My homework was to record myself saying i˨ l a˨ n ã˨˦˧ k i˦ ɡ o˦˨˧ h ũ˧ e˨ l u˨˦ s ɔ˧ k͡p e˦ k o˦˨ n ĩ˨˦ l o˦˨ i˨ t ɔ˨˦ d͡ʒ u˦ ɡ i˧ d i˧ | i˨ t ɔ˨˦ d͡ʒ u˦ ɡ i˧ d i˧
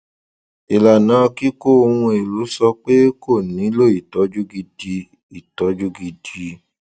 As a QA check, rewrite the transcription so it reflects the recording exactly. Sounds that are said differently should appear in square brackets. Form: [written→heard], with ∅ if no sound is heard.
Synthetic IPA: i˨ l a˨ n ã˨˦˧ k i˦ [ɡ→k] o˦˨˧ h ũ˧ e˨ l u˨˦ s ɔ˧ k͡p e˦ k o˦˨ n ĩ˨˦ l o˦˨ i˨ t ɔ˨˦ d͡ʒ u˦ ɡ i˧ d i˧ | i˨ t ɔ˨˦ d͡ʒ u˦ ɡ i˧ d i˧